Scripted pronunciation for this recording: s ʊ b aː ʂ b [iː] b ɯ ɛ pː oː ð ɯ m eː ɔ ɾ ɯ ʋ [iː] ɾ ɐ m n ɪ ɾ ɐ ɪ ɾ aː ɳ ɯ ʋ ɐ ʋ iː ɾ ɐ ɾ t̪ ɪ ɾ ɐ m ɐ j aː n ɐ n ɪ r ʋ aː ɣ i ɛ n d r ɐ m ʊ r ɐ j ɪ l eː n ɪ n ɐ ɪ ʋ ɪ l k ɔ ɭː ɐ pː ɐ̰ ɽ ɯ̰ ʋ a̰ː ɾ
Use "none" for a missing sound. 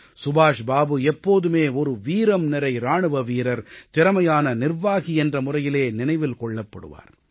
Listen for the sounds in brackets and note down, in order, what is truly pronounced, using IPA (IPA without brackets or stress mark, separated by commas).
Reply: aː, iː